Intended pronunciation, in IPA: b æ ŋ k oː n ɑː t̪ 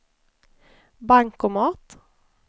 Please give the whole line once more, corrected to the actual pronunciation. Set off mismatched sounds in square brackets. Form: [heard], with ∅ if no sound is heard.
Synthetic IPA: b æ ŋ k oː [m] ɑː t̪